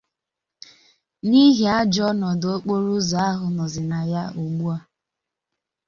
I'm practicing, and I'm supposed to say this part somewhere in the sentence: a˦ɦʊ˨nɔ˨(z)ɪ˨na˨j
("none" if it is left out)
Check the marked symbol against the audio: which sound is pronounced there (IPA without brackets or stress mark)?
z